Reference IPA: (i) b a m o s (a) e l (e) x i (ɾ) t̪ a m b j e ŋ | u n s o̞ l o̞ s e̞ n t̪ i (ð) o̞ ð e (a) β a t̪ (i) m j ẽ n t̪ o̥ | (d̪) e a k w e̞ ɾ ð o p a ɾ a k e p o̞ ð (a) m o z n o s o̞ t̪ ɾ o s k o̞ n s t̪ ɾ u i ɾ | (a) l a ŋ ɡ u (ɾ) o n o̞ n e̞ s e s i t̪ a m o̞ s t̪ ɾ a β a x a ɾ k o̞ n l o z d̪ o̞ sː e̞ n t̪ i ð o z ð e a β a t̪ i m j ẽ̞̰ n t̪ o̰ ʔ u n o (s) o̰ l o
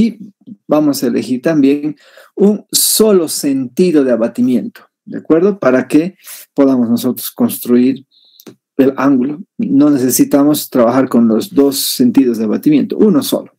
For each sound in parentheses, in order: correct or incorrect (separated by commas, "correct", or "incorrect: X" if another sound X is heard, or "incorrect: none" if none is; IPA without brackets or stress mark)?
correct, correct, correct, correct, correct, correct, correct, correct, correct, incorrect: e, incorrect: l, correct